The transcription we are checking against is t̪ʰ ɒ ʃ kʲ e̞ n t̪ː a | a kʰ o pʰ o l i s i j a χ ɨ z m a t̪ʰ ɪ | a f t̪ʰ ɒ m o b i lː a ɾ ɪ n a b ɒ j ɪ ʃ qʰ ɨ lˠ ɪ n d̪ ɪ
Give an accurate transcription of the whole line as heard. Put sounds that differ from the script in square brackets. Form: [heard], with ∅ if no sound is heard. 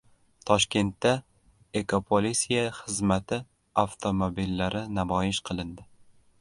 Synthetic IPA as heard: t̪ʰ ɒ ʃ kʲ e̞ n t̪ː a | [e] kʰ o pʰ o l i s i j a χ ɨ z m a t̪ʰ ɪ | a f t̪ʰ [o] m o b i lː a ɾ ɪ n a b ɒ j ɪ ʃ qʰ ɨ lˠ ɪ n d̪ ɪ